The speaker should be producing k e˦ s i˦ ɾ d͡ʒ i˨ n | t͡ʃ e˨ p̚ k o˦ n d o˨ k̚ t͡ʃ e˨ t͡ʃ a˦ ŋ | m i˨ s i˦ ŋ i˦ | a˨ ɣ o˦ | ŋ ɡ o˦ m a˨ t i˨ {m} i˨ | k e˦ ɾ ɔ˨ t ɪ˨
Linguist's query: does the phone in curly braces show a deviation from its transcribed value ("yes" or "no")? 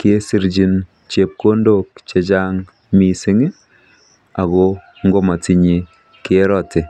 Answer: yes